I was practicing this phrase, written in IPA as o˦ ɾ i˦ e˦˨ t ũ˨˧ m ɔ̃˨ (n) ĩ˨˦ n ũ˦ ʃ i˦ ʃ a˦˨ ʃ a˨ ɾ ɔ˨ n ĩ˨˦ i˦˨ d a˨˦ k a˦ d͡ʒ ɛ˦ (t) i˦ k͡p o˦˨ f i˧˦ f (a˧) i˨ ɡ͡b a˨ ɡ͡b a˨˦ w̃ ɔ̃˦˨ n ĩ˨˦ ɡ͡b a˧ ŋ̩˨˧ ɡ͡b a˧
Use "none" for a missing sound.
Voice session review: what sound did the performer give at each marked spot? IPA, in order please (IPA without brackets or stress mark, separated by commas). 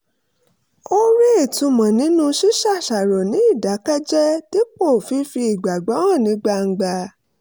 n, t, i˧